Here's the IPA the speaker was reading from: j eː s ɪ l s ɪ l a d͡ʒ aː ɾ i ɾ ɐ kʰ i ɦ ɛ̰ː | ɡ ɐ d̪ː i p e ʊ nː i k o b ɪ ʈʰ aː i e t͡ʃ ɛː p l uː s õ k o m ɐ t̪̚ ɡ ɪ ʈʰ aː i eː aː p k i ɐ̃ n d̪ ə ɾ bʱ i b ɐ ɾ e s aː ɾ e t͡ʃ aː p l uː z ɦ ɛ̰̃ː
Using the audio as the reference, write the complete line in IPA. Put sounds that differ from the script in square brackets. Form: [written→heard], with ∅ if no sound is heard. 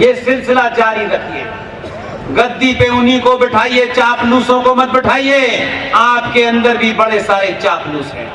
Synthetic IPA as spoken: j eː s ɪ l s ɪ l a d͡ʒ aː ɾ i ɾ ɐ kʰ i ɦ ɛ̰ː | ɡ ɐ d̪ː i p e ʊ [nː→n] i k o b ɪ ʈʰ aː i e t͡ʃ [ɛː→aː] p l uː s õ k o m ɐ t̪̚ [ɡ→b] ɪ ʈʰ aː i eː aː p k [i→e] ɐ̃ n d̪ ə ɾ bʱ i b ɐ [ɾ→ɽ] e s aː ɾ e t͡ʃ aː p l uː [z→s] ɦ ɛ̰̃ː